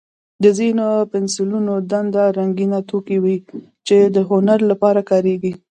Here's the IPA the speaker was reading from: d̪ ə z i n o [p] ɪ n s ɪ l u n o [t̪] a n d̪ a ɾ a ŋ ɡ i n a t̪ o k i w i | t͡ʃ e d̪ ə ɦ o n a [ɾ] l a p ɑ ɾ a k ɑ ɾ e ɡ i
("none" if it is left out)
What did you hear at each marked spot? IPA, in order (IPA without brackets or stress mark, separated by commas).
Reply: p, d̪, ɾ